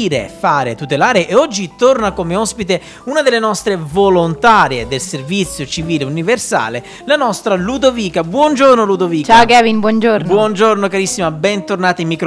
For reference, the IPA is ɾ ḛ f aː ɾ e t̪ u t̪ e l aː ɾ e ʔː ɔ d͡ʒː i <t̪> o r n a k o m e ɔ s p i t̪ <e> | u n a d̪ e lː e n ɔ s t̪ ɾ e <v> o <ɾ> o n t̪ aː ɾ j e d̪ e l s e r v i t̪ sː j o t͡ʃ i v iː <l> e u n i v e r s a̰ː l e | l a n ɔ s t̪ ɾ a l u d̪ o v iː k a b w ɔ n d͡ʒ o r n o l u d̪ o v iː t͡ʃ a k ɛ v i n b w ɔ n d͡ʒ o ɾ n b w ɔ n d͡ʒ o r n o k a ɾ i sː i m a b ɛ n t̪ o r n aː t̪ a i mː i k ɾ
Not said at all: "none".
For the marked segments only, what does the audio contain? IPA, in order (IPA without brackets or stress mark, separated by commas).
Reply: t̪, e, v, l, l